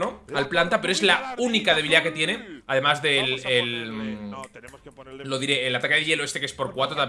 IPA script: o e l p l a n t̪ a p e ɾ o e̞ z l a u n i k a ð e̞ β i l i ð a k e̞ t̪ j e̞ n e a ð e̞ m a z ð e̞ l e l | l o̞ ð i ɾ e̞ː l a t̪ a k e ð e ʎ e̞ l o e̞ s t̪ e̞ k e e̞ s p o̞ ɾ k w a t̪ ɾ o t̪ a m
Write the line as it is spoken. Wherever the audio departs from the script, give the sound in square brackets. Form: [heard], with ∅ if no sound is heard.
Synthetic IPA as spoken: o [a] l p l a n t̪ a p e ɾ o e̞ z l a u n i k a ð e̞ β i l i ð a k e̞ t̪ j e̞ n e a ð e̞ m a z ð e̞ l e l | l o̞ ð i ɾ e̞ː l a t̪ a k e ð e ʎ e̞ l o e̞ s t̪ e̞ k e e̞ s p o̞ ɾ k w a t̪ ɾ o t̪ a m